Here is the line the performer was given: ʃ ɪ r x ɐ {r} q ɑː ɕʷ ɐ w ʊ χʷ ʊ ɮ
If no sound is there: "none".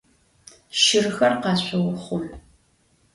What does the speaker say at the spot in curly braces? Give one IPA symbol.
r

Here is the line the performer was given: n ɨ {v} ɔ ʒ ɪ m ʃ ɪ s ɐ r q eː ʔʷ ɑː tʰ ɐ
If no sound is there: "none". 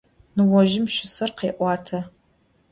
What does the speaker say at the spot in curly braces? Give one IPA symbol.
w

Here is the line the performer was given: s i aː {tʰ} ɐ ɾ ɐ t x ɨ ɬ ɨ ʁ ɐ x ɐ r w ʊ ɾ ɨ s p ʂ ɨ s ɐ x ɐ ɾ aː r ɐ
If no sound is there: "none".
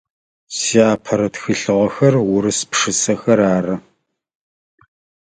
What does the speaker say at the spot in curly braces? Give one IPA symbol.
pʰ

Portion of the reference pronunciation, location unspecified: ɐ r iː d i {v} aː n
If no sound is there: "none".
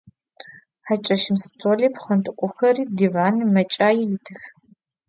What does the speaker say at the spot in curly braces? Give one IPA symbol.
v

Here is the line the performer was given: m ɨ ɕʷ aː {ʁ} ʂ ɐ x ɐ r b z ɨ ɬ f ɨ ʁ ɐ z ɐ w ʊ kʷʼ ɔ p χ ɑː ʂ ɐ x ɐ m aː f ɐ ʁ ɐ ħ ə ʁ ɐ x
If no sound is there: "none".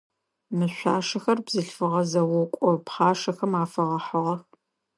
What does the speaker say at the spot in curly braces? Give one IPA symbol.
none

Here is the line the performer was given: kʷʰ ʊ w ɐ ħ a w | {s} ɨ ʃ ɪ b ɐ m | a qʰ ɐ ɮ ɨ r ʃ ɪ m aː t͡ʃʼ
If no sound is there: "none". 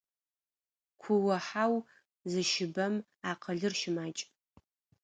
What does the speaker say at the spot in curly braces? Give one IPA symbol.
z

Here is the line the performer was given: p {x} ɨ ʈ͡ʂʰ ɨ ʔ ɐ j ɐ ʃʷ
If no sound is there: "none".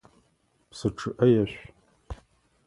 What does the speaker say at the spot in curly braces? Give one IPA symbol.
s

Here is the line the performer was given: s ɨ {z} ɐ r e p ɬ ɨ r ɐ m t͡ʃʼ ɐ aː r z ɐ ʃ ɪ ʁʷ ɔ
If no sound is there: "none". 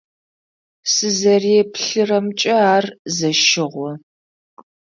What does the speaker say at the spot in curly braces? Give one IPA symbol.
z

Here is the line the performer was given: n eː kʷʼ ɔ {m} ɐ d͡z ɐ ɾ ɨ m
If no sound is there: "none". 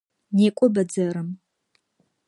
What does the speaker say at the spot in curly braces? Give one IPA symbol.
b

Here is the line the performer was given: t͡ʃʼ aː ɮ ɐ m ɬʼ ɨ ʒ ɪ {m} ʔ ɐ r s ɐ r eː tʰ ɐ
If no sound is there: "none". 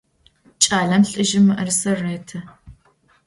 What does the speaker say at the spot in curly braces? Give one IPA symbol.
m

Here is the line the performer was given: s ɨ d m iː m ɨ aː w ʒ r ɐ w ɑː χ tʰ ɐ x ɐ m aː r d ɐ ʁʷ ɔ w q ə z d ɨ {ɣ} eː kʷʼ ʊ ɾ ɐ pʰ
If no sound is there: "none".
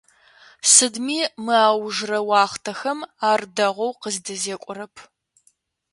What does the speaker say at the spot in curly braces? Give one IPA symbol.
z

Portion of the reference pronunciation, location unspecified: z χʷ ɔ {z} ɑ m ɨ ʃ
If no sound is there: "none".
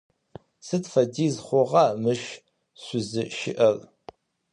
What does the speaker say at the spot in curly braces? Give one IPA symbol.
ʁ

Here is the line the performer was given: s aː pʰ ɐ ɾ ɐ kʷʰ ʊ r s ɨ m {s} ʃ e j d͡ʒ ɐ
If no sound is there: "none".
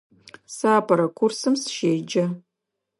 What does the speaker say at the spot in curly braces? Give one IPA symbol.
s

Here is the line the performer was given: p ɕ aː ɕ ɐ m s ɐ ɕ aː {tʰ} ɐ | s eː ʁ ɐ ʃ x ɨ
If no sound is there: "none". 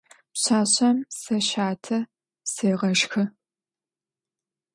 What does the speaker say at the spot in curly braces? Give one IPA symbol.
tʰ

